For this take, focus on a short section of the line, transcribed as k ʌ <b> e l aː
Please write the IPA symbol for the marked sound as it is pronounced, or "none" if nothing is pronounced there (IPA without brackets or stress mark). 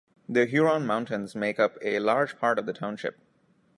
p